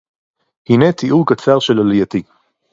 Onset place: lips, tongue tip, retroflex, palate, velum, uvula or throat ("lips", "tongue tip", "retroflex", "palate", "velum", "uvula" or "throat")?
throat